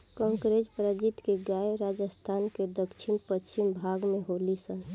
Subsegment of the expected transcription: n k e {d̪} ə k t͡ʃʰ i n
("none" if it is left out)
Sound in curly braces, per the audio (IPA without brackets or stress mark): d̪